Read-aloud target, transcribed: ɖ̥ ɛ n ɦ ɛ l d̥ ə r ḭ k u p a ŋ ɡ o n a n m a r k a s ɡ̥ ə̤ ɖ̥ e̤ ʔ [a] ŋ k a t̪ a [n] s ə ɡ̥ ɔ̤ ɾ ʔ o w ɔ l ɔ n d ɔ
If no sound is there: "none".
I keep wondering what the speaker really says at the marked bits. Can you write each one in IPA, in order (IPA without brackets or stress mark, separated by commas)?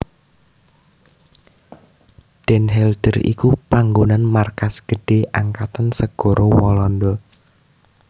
a, n